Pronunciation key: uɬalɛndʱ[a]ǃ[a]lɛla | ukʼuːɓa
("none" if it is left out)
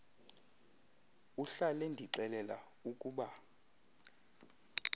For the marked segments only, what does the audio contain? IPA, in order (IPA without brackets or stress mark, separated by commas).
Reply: i, ɛ